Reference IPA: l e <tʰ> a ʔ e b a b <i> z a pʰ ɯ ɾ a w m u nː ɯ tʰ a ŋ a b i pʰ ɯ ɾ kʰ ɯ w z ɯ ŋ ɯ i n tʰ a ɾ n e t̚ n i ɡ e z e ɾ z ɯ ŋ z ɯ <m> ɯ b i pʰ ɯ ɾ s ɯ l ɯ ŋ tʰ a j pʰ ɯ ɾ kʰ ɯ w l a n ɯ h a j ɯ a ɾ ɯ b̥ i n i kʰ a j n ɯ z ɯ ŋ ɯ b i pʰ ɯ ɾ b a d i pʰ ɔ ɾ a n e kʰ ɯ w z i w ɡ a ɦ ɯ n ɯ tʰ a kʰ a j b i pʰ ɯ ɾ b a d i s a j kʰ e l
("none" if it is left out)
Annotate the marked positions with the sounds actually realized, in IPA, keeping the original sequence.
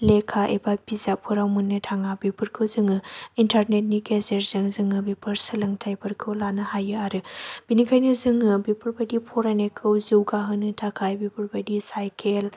kʰ, i, ŋ

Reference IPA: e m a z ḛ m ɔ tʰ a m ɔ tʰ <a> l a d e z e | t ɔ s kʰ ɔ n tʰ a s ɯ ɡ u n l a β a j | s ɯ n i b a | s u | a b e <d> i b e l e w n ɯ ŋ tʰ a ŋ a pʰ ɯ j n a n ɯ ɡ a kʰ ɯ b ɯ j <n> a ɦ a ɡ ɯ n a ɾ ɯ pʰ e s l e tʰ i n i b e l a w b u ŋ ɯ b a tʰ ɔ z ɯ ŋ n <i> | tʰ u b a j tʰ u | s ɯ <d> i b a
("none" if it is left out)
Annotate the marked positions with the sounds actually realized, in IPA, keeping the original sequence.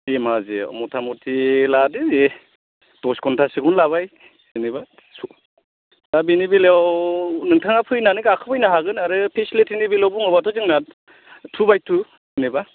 i, n, n, a, n

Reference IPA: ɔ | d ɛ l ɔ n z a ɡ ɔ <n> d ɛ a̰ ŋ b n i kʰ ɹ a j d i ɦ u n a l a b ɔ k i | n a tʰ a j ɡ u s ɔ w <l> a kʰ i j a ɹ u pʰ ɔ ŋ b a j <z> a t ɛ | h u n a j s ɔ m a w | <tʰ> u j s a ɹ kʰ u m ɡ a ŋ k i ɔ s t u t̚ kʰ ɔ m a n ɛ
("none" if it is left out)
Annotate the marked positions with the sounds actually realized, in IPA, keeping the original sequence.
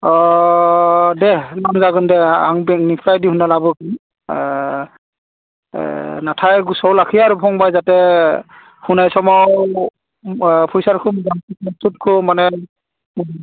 n, l, z, pʰ

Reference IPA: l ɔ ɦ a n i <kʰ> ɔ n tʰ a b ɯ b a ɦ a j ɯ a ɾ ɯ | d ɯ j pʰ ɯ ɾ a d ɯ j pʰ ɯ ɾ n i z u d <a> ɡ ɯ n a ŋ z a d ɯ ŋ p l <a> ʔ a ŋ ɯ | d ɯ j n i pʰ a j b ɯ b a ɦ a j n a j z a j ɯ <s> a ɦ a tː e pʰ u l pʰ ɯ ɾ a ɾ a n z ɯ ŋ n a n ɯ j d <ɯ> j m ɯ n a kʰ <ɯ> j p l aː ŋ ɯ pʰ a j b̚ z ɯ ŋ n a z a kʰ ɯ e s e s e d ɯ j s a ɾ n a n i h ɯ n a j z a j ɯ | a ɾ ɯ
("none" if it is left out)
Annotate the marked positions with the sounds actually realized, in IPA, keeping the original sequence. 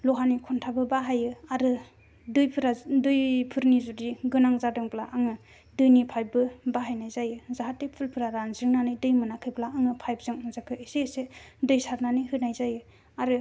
kʰ, i, a, z, ɯ, ɯ

